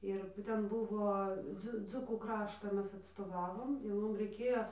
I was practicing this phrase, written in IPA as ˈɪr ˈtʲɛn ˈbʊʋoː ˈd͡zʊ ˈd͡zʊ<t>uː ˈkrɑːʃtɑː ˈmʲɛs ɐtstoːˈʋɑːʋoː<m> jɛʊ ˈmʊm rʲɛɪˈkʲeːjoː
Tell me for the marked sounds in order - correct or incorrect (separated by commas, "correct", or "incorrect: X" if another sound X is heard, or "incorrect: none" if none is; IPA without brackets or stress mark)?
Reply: incorrect: k, correct